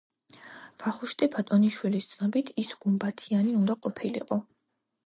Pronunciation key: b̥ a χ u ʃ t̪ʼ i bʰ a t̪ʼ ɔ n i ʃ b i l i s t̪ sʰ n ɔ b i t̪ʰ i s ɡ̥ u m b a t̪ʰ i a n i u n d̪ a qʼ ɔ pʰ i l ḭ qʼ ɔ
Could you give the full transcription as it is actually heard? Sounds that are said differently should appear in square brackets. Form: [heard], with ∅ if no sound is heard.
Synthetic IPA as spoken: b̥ a χ u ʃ t̪ʼ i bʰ a t̪ʼ ɔ n i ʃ [w] i l i s t̪ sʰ n ɔ b i t̪ʰ i s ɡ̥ u m b a t̪ʰ i a n i u n d̪ a qʼ ɔ pʰ i l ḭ qʼ ɔ